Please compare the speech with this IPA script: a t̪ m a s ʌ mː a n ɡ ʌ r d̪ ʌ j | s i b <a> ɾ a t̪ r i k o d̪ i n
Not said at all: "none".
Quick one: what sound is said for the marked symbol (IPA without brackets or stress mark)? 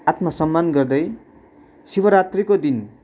ʌ